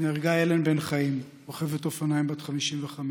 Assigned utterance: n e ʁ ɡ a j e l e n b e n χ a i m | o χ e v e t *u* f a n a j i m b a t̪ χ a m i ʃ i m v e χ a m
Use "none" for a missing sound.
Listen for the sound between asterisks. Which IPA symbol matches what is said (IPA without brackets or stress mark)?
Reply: o